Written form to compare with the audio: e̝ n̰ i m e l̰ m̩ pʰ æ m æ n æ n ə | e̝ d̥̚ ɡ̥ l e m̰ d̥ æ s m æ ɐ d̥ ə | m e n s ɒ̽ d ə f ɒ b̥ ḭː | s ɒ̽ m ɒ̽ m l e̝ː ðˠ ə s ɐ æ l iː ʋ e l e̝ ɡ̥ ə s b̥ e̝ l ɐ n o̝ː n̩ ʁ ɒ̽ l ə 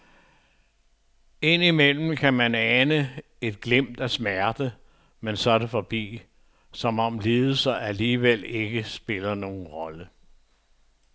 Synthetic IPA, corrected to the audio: e̝ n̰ i m e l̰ m̩ kʰ æ m æ n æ n ə | e̝ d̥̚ ɡ̥ l e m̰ d̥ æ s m æ ɐ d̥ ə | m e n s ɒ̽ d ə f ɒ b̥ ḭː | s ɒ̽ m ɒ̽ m l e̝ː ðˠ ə s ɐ æ l iː ʋ e l e̝ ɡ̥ ə s b̥ e̝ l ɐ n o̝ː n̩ ʁ ɒ̽ l ə